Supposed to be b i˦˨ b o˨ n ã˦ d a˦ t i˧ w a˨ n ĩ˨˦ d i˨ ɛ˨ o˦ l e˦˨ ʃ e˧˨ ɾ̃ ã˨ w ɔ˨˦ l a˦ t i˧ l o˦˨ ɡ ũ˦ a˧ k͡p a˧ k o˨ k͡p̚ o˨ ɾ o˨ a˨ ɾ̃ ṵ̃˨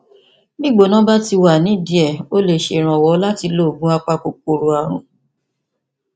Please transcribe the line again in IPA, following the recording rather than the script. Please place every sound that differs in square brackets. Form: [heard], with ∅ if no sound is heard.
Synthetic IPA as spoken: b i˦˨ [ɡ͡b] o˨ n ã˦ [b] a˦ t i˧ w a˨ n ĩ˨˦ d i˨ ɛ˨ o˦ l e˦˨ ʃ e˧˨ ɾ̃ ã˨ w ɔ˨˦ l a˦ t i˧ l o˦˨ ɡ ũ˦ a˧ k͡p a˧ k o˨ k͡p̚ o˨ ɾ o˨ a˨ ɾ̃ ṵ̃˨